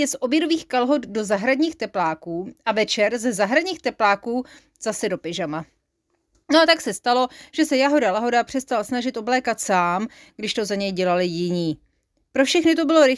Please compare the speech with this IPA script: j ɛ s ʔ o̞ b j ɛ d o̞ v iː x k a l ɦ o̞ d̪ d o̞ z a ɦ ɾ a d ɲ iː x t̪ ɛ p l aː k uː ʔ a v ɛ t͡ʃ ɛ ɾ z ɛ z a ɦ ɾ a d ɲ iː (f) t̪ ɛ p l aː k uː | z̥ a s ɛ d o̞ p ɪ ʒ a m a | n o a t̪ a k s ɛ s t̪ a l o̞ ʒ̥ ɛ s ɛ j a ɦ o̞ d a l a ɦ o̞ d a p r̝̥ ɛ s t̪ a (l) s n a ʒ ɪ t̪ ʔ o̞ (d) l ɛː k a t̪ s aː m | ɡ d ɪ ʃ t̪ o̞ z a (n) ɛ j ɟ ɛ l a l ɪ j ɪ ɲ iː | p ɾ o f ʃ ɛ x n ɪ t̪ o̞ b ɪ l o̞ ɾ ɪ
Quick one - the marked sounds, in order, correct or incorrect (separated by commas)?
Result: incorrect, correct, incorrect, incorrect